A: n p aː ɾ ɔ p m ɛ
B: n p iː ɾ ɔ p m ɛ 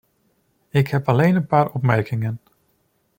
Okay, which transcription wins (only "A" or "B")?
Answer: A